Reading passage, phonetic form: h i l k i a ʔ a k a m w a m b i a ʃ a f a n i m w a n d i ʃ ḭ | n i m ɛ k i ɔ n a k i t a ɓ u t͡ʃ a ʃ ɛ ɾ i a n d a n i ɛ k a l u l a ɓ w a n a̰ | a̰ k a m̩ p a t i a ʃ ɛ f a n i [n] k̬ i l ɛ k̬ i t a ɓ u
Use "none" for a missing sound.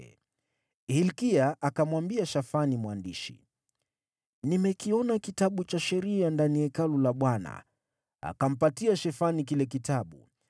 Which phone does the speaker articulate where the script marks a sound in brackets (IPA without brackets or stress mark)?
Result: none